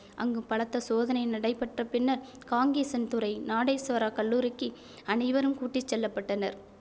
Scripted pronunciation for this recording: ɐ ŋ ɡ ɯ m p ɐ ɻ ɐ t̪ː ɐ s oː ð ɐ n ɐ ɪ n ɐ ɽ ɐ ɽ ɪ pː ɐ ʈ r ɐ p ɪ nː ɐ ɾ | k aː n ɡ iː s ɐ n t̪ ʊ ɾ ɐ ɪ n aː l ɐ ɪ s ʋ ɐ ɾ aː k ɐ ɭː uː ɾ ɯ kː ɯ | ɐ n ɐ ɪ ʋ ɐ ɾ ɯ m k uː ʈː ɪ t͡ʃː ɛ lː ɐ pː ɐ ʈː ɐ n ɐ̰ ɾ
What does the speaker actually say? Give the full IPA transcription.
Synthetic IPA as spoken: ɐ ŋ ɡ ɯ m p ɐ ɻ ɐ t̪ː ɐ s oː ð ɐ n ɐ ɪ n ɐ ɽ ɐ ɪ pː ɐ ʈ r ɐ p ɪ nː ɐ ɾ | k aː ŋ ɡ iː s ɐ n t̪ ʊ ɾ ɐ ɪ n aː ɽ ɐ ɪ s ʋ ɐ ɾ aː k ɐ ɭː uː ɾ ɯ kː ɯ | ɐ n ɐ ɪ ʋ ɐ ɾ ɯ m k uː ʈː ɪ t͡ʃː ɛ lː ɐ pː ɐ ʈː ɐ n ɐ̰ ɾ